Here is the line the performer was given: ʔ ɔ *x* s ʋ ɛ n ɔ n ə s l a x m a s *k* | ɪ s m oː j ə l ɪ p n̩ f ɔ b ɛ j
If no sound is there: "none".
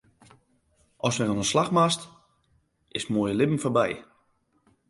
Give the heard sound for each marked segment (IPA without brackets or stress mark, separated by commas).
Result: none, t